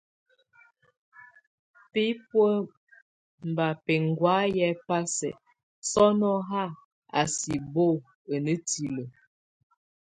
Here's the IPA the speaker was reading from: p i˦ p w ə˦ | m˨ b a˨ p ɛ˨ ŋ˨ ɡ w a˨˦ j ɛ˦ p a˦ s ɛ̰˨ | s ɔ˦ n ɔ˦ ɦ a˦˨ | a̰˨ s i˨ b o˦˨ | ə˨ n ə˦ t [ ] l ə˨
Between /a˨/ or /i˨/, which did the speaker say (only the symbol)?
i˨